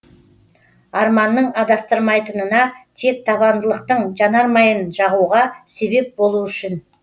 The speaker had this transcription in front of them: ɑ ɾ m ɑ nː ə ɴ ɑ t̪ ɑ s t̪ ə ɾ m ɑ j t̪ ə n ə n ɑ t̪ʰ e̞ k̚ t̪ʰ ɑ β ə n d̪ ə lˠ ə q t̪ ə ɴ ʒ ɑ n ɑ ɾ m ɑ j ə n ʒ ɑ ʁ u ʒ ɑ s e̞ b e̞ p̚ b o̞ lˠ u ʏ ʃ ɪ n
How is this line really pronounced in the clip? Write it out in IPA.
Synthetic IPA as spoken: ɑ ɾ m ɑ nː ə ɴ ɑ d̪ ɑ s t̪ ə ɾ m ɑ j t̪ ə n ə n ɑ t̪ʰ e̞ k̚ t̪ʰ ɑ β ɑ n d̪ ə lˠ ə q t̪ ə ɴ ʒ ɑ n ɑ ɾ m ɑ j ə n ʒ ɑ ʁ u ʁ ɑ s e̞ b e̞ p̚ b o̞ lˠ u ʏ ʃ ɪ n